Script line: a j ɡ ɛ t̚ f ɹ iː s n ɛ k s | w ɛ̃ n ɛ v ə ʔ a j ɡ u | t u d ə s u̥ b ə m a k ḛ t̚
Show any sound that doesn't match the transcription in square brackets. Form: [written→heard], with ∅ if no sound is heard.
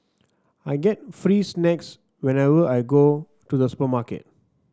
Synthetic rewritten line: a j ɡ ɛ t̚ f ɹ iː s n ɛ k s | w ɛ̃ n ɛ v ə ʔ a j ɡ [u→o] | t u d ə s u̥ [b→p] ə m a k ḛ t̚